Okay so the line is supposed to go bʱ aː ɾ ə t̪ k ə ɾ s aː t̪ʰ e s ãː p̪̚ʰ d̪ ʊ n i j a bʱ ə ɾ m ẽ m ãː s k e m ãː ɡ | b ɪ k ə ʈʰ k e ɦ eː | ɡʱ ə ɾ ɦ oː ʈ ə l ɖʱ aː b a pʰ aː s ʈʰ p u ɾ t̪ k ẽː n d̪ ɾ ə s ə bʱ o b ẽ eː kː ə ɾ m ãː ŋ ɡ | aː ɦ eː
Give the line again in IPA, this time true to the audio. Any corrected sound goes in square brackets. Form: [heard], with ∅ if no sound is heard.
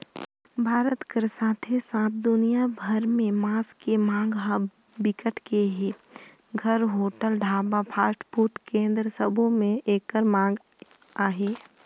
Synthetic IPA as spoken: bʱ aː ɾ ə t̪ k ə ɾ s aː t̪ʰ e s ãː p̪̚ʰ d̪ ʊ n i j a bʱ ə ɾ m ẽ m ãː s k e m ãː ɡ | b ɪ k ə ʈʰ k e ɦ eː | ɡʱ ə ɾ ɦ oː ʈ ə l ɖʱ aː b a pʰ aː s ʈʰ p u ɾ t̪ k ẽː n d̪ ɾ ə s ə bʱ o [m] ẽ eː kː ə ɾ m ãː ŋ ɡ | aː ɦ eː